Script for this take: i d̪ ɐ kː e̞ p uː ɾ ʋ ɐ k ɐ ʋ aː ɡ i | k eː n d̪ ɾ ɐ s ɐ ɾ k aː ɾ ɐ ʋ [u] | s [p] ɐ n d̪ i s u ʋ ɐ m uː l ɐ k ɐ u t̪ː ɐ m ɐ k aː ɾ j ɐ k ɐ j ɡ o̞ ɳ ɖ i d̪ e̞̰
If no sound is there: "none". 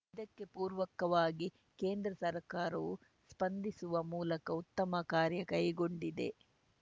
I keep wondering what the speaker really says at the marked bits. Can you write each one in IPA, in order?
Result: u, p

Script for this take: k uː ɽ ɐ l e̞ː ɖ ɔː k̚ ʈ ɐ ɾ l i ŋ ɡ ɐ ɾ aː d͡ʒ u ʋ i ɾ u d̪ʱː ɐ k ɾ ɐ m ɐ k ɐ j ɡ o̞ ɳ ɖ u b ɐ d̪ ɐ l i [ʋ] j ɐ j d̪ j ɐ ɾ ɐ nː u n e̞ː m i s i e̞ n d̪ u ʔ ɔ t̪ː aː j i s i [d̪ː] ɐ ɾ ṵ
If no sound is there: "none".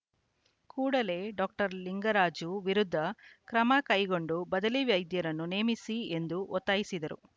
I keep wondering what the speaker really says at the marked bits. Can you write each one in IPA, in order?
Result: ʋ, d̪

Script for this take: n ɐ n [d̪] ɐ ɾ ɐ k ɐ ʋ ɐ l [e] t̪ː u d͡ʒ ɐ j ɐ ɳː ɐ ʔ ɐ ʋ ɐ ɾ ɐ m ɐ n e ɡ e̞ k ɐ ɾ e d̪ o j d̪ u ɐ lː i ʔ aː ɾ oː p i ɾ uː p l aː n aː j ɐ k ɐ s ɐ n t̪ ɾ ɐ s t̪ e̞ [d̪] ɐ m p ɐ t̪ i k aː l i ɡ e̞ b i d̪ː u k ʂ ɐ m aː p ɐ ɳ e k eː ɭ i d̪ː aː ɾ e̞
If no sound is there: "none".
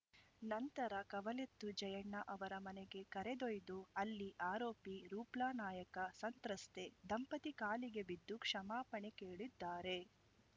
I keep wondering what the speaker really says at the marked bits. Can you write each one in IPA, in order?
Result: t̪, e, d̪

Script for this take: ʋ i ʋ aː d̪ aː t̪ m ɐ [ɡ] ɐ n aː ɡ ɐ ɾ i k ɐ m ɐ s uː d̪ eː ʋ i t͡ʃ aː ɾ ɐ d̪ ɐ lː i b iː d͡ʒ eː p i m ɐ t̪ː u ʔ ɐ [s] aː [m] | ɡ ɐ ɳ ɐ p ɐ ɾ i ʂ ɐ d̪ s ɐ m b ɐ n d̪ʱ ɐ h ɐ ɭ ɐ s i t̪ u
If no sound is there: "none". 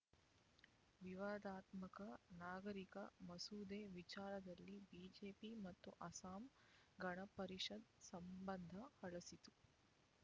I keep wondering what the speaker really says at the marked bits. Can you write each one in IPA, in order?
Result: k, s, m

